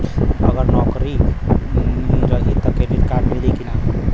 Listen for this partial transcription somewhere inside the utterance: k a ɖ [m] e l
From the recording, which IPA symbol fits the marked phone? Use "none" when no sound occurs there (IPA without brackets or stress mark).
m